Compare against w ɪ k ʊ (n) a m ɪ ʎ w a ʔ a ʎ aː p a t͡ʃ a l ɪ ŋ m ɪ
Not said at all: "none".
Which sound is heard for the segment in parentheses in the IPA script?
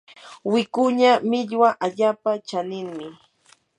ɲ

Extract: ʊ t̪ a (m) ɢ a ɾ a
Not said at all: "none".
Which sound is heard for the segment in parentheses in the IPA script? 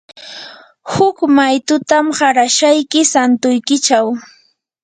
m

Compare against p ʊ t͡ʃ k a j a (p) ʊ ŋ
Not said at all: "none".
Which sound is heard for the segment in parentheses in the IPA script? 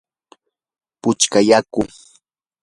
k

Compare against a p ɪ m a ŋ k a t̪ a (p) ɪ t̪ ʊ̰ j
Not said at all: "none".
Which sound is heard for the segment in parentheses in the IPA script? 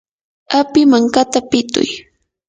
p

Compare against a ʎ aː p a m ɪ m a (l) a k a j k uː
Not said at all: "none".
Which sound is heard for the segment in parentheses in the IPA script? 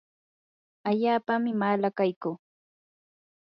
l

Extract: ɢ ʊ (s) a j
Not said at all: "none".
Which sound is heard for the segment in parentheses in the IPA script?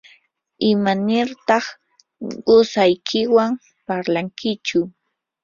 s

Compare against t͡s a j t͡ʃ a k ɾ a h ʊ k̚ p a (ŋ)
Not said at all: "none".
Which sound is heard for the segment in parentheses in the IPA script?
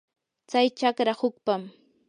m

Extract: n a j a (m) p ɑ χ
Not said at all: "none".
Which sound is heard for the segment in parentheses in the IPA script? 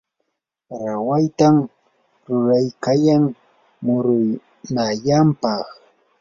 m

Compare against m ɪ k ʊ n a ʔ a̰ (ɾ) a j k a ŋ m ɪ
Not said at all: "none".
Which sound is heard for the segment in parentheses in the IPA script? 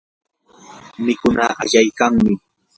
ʎ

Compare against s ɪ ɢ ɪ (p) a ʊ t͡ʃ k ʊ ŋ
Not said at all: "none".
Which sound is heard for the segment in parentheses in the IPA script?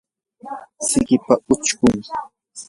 p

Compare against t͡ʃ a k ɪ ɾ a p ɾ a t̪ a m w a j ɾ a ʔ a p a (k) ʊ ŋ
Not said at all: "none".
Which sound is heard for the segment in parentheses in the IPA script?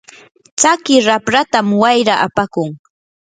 k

